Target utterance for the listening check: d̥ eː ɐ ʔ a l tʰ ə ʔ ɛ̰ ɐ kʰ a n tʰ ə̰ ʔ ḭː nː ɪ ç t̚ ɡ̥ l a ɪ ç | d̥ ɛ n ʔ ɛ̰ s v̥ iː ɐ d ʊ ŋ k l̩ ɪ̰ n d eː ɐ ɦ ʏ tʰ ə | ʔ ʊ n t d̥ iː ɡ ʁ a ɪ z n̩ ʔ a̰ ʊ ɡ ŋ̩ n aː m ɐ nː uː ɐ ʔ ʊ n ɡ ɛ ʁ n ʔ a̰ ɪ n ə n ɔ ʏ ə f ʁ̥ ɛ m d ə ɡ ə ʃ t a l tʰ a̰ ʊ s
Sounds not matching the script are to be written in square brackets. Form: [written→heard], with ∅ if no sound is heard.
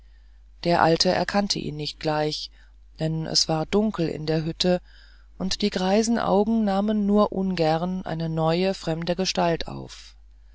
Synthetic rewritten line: d̥ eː ɐ ʔ a l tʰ ə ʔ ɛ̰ ɐ kʰ a n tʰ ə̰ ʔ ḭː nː ɪ ç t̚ ɡ̥ l a ɪ ç | d̥ ɛ n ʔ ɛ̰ s v̥ [iː→aː] ɐ d ʊ ŋ k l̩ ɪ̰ n d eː ɐ ɦ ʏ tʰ ə | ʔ ʊ n t d̥ iː ɡ ʁ a ɪ z n̩ ʔ a̰ ʊ ɡ ŋ̩ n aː m [ɐ→ə] nː uː ɐ ʔ ʊ n ɡ ɛ ʁ n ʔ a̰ ɪ n ə n ɔ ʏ ə f ʁ̥ ɛ m d ə ɡ ə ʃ t a l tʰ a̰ ʊ [s→f]